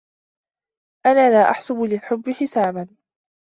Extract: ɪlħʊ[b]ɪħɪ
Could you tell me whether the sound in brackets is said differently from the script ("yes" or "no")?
yes